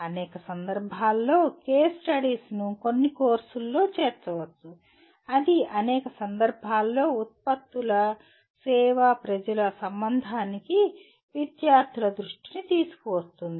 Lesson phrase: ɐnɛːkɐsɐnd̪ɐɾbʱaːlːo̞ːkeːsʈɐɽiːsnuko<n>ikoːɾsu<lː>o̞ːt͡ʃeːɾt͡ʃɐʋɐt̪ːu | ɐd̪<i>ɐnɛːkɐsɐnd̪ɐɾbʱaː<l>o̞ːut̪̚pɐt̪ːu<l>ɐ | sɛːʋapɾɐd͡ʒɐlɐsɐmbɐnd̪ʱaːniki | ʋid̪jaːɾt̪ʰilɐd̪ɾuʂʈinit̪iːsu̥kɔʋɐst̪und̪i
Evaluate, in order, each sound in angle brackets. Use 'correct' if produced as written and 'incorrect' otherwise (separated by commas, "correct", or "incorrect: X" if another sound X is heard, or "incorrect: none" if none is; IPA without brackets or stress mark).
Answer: incorrect: nː, correct, correct, incorrect: lː, correct